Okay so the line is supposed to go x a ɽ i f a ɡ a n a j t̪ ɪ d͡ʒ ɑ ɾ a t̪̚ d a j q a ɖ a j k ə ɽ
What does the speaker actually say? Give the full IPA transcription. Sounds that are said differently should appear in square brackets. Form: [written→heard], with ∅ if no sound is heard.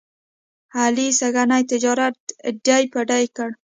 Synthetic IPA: [x→h] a [ɽ→l] i [f→s] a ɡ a n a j t̪ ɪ d͡ʒ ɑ ɾ a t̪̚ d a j [q→p] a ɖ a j k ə ɽ